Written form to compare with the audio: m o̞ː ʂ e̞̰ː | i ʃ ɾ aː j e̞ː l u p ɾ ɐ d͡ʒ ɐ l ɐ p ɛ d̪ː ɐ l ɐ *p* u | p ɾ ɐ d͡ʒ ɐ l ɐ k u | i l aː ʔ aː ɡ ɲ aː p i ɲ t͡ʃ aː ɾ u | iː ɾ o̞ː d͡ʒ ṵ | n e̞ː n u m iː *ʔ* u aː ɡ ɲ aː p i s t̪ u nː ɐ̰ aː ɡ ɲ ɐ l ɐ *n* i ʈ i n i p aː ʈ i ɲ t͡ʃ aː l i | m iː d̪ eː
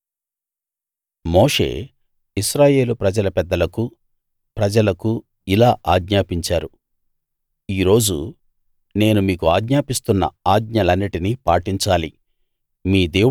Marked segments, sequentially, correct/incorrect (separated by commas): incorrect, incorrect, incorrect